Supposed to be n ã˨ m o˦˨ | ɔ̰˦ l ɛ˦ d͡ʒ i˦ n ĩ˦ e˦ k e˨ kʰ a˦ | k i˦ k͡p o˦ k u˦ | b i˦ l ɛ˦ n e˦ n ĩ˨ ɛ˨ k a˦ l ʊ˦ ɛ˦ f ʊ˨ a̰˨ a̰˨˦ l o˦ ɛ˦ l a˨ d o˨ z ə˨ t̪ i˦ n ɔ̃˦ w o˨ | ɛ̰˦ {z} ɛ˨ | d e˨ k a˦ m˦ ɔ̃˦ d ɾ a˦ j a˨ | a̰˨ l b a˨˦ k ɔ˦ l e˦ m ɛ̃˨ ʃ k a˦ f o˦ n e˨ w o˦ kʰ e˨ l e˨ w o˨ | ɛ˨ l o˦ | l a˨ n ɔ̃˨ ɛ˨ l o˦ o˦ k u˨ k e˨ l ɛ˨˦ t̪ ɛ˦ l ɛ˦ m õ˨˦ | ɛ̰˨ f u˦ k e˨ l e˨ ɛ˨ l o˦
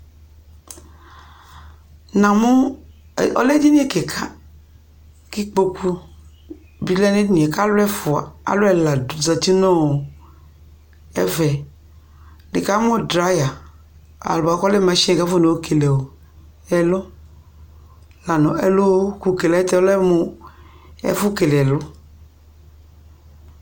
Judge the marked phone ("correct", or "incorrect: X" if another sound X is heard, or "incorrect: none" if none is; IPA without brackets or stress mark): incorrect: v